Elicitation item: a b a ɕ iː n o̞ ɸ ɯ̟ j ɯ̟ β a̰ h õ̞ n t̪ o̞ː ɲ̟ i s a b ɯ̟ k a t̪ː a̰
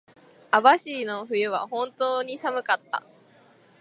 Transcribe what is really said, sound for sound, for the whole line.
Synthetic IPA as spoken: a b a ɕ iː n o̞ ɸ ɯ̟ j ɯ̟ β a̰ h õ̞ n t̪ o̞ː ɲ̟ i s a m ɯ̟ k a t̪ː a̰